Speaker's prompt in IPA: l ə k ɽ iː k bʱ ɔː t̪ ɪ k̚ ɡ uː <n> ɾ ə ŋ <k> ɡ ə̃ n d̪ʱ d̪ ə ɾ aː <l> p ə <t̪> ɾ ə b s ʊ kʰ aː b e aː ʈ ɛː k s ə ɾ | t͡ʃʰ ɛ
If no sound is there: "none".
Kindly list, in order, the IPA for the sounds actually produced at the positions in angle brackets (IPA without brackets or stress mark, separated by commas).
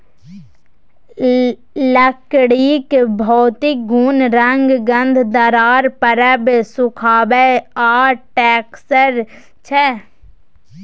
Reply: n, ɡ, ɾ, none